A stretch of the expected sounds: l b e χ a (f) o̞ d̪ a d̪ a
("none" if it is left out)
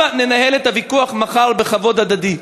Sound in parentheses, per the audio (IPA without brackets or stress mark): v